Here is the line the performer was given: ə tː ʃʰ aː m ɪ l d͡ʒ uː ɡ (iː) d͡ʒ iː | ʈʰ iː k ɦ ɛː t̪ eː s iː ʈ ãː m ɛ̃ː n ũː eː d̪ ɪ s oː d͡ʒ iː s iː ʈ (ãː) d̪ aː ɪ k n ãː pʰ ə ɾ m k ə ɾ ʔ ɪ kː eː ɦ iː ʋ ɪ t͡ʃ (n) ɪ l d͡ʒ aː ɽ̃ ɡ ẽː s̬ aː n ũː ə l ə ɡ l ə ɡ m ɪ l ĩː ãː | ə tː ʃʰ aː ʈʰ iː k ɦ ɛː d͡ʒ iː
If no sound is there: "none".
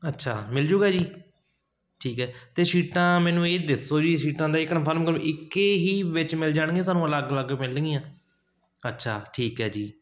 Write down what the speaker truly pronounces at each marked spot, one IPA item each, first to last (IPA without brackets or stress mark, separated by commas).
aː, ãː, m